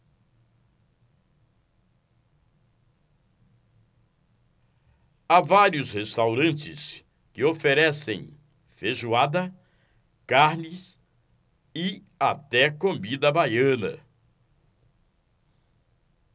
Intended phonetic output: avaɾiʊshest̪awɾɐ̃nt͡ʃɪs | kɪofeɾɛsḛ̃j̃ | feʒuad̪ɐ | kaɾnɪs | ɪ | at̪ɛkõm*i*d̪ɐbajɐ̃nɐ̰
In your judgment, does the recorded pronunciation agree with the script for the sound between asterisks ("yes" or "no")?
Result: yes